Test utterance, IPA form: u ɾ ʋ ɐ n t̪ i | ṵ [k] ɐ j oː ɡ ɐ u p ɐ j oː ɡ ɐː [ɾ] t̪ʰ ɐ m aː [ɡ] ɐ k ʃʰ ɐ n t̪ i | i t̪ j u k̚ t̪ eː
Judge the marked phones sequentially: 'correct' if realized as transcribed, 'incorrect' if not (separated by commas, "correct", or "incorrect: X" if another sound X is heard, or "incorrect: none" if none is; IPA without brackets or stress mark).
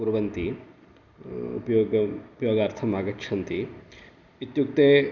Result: incorrect: p, correct, correct